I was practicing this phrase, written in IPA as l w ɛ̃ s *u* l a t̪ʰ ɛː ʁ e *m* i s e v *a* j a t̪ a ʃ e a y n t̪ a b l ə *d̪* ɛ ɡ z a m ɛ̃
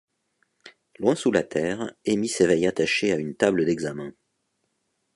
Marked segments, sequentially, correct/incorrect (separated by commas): correct, correct, incorrect, correct